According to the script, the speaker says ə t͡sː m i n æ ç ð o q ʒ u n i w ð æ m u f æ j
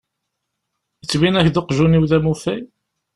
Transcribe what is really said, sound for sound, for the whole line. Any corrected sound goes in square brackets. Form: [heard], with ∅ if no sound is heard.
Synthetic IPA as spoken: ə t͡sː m i n æ ç ð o q ʒ u n i w ð æ m u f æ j